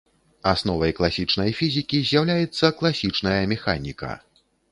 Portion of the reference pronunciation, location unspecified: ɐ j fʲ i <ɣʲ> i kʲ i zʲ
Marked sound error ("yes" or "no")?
yes